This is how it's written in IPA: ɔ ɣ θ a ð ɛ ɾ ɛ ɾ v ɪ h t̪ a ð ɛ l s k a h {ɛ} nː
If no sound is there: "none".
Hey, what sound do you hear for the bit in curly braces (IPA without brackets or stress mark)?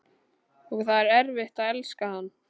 a